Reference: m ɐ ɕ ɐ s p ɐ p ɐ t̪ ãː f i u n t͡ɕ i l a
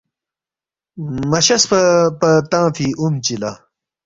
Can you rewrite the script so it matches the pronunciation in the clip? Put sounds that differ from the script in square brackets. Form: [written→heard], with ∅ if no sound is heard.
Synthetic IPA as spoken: m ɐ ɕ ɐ s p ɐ p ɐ t̪ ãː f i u [n→m] t͡ɕ i l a